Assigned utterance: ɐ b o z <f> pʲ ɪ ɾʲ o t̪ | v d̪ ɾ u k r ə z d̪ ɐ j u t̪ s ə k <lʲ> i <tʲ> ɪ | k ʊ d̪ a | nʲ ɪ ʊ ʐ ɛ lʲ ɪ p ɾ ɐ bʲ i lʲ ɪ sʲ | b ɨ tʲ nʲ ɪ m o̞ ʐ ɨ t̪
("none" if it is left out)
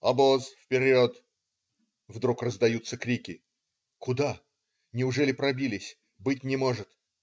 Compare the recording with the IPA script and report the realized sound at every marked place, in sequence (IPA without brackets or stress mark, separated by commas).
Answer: f, ɾʲ, kʲ